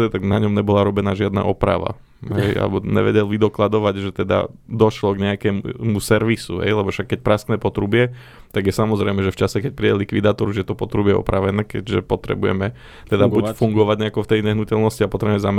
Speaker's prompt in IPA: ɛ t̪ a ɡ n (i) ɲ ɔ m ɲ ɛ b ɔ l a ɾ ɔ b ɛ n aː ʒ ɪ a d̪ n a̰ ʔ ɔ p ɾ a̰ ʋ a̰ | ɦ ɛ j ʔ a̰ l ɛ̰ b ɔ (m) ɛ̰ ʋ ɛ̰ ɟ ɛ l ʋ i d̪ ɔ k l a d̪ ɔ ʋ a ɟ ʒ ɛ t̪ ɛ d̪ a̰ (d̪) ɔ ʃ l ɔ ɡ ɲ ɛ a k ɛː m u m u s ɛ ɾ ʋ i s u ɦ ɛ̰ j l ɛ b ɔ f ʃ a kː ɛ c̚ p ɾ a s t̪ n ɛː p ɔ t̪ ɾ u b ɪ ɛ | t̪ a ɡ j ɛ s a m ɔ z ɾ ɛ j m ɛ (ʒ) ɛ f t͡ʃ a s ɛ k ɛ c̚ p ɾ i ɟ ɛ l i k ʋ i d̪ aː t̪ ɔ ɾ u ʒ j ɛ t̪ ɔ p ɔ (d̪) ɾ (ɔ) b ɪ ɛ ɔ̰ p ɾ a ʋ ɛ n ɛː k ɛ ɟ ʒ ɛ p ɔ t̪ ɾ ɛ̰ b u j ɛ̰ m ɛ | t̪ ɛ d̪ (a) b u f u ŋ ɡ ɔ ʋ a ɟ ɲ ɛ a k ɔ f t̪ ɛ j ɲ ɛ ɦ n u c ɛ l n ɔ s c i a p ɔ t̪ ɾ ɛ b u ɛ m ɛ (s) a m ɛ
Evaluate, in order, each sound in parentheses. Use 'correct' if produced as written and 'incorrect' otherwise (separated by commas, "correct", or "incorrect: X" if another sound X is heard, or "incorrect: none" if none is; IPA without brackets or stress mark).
incorrect: a, incorrect: ɲ, correct, correct, incorrect: t̪, incorrect: u, correct, incorrect: z